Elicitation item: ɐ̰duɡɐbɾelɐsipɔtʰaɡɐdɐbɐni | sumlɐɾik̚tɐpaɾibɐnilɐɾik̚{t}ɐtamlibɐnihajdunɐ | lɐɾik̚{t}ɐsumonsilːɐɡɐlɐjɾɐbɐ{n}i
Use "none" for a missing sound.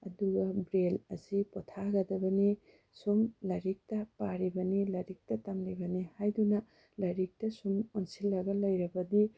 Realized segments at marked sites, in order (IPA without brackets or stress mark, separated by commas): t, t, d